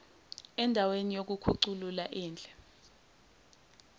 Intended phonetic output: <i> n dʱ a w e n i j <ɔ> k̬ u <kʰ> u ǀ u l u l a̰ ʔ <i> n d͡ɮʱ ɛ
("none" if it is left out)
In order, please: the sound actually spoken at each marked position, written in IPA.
ɛ, o, kʰ, iː

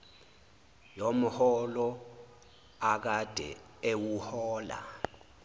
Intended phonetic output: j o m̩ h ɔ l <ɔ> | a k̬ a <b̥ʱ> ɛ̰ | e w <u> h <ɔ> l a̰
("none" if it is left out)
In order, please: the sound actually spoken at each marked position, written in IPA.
ɔ, d̥ʱ, u, ɔː

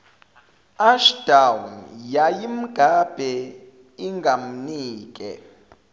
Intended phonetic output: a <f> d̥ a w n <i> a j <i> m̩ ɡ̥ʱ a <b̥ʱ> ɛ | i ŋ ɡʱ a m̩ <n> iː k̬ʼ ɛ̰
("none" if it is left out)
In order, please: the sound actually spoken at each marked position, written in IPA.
ʃ, j, i, b̥ʱ, n

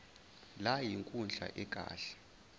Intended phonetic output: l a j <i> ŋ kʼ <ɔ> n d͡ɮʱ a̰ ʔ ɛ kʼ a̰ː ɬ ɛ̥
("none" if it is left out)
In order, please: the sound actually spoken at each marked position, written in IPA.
i, u

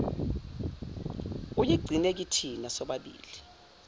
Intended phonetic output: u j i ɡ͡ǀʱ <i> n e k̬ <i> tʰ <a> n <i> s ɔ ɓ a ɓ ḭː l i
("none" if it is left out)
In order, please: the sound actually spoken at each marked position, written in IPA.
i, i, i, a

